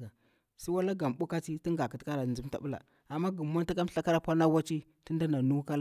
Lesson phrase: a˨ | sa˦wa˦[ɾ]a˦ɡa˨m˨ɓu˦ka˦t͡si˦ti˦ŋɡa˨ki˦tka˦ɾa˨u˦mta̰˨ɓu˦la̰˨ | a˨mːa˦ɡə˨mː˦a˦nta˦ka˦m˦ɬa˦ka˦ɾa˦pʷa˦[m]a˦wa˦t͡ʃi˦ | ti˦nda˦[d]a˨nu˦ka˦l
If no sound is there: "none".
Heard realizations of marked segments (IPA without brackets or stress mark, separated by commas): l, n, n